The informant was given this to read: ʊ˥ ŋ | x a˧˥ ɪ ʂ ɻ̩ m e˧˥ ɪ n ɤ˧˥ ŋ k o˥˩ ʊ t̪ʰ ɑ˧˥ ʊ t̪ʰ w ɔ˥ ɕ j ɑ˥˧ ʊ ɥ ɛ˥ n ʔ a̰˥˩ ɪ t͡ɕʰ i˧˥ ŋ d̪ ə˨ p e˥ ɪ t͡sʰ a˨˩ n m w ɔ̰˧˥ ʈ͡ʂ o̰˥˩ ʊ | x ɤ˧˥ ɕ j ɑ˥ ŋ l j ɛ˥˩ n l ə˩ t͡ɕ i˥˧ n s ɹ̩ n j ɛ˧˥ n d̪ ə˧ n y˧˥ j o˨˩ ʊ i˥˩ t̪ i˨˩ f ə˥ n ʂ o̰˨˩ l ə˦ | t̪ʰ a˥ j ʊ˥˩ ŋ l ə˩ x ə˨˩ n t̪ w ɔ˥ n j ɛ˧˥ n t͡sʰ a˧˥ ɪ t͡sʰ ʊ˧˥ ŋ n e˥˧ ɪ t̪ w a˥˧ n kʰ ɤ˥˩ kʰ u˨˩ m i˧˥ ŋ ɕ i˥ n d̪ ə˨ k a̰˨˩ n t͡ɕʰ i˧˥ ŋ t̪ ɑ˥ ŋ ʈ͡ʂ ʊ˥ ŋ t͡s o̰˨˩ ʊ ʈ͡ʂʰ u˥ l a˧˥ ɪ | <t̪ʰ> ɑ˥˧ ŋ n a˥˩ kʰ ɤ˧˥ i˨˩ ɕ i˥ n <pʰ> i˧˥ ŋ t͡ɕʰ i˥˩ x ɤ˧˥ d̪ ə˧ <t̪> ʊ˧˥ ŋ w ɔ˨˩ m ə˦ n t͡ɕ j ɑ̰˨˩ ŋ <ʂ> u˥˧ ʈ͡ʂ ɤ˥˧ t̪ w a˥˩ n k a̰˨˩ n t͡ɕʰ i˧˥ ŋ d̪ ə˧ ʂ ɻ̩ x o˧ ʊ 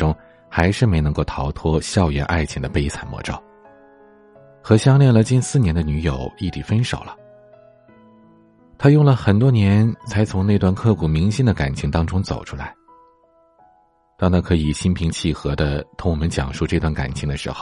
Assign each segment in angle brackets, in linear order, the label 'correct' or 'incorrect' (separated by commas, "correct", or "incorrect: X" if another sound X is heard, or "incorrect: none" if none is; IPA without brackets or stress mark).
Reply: incorrect: t̪, correct, incorrect: t̪ʰ, correct